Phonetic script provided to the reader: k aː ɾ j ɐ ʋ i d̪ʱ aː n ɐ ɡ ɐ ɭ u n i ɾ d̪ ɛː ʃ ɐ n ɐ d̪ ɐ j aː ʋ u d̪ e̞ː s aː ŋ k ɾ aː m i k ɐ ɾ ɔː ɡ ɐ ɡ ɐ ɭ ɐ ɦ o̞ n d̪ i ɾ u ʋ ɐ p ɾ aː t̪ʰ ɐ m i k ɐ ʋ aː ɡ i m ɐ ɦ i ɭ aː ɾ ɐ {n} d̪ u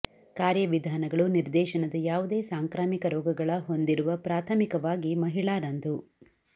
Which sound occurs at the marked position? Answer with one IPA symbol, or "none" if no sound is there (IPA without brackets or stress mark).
n